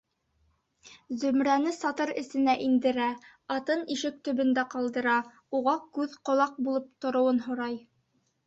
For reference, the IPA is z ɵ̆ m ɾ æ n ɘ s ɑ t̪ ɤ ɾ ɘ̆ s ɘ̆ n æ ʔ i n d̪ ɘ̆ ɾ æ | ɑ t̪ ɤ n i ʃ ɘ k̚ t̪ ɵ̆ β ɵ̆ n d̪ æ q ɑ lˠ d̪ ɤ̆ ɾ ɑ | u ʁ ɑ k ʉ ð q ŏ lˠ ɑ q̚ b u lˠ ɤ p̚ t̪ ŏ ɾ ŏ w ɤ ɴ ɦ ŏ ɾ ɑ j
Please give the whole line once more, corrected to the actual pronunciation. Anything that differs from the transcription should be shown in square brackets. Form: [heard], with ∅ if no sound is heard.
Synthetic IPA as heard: z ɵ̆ m ɾ æ n ɘ s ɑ t̪ ɤ ɾ ɘ̆ s ɘ̆ n æ ʔ i n d̪ ɘ̆ ɾ æ | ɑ t̪ ɤ n i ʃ ɘ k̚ t̪ ɵ̆ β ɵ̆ n d̪ æ q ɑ lˠ d̪ ɤ̆ ɾ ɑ | u ʁ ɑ k ʉ ð q ŏ lˠ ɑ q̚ b u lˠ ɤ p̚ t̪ ŏ ɾ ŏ w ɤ [n] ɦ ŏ ɾ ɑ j